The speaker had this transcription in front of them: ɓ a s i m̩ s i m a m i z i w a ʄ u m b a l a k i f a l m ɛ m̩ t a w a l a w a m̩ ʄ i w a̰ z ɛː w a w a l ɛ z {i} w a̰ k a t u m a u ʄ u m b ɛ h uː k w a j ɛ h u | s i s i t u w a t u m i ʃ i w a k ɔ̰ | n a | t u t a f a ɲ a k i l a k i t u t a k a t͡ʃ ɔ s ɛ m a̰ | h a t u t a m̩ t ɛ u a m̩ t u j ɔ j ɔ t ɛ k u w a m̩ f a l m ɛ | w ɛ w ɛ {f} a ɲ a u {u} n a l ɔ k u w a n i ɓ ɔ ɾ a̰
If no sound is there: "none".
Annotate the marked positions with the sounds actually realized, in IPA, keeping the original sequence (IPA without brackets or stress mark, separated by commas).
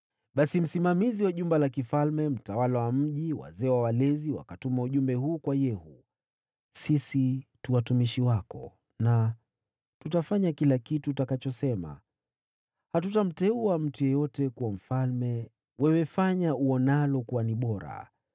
i, f, ɔ